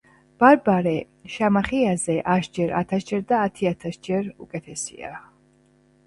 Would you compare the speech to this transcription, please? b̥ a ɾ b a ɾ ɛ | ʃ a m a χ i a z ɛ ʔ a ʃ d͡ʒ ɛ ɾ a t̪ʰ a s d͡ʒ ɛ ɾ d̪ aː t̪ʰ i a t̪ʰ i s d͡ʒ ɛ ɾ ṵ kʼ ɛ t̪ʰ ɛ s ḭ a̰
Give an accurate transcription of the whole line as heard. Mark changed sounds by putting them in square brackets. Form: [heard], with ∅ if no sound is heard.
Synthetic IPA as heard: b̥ a ɾ b a ɾ ɛ | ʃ a m a χ i a z ɛ ʔ a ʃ d͡ʒ ɛ ɾ a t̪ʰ a s d͡ʒ ɛ ɾ d̪ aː t̪ʰ i a t̪ʰ [a] s d͡ʒ ɛ ɾ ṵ kʼ ɛ t̪ʰ ɛ s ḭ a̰